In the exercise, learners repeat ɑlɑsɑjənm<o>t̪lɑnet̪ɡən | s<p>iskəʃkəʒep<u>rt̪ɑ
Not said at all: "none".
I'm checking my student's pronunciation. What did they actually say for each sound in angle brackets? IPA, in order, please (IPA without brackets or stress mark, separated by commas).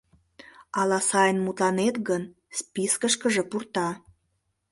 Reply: u, p, u